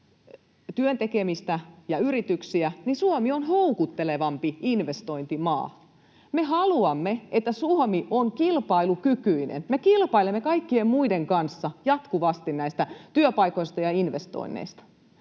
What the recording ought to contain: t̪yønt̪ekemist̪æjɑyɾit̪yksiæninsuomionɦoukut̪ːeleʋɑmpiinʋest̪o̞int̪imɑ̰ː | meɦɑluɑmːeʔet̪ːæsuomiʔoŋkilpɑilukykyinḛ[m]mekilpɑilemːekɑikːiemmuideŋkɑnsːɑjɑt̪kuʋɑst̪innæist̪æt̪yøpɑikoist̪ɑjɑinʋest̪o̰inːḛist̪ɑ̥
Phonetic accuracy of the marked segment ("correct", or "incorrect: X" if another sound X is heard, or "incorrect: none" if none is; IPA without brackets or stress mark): incorrect: n